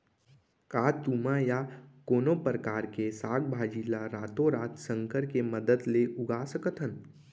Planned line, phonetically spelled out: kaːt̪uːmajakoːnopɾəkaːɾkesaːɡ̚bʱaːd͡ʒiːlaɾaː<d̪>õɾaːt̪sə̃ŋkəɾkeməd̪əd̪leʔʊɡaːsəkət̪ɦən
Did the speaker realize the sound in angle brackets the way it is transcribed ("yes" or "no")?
no